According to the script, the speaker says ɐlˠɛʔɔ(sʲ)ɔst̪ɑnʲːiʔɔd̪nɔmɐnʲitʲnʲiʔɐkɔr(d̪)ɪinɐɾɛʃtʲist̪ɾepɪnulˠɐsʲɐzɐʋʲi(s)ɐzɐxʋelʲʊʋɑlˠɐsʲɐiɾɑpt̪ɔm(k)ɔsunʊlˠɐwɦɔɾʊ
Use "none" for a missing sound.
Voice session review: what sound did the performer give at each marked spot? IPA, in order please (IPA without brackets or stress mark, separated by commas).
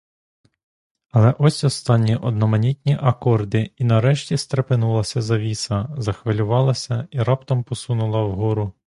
sʲ, d̪, s, p